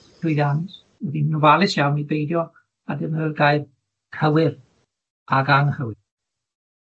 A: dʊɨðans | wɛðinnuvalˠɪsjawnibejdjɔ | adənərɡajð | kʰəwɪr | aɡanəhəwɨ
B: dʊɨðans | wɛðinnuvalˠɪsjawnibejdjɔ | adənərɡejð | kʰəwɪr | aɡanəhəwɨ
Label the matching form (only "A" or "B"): A